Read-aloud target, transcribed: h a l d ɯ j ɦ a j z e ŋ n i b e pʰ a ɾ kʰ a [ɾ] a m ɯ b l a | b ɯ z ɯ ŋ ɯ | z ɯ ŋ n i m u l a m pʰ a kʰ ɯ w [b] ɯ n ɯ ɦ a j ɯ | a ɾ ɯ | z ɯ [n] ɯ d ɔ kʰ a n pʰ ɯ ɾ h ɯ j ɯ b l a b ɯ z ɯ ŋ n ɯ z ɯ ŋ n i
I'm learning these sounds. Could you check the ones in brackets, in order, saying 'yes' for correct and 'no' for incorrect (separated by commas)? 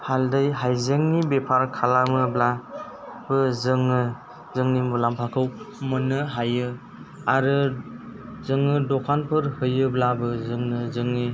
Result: no, no, no